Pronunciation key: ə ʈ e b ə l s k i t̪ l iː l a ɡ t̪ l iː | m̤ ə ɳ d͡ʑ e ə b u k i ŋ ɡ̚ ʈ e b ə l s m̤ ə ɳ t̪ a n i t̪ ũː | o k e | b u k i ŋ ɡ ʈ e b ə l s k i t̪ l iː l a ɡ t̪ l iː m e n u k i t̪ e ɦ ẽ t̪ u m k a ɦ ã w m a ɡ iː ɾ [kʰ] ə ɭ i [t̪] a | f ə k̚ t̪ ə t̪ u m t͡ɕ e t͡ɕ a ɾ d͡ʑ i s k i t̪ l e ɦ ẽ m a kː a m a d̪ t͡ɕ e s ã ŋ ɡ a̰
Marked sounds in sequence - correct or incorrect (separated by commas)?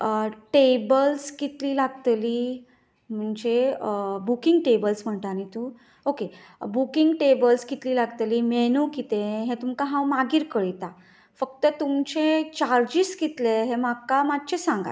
incorrect, correct